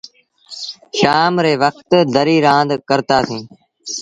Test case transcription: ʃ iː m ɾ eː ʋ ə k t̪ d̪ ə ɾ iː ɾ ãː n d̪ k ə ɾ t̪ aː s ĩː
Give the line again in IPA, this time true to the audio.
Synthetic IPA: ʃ aː m ɾ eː ʋ ə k t̪ d̪ ə ɾ iː ɾ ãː n d̪ k ə ɾ t̪ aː s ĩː

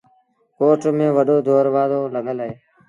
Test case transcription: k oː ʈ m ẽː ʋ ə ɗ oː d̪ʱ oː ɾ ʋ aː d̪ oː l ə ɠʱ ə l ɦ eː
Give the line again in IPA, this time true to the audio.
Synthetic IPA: k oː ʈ m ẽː ʋ ə ɗ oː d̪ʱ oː ɾ ʋ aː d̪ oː l ə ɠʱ ə l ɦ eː

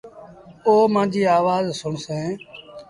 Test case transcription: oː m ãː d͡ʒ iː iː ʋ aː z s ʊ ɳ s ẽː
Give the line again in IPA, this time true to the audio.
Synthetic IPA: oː m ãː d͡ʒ iː aː ʋ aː z s ʊ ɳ s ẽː

